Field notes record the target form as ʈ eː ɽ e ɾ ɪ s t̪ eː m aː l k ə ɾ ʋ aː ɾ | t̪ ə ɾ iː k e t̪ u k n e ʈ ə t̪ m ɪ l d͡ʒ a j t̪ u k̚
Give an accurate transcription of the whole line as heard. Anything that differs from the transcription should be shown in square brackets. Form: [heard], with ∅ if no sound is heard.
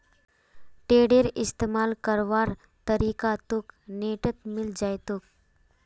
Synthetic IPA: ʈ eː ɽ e ɾ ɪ s t̪ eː m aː l k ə ɾ ʋ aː ɾ | t̪ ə ɾ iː k [a] t̪ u k n e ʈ ə t̪ m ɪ l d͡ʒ a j t̪ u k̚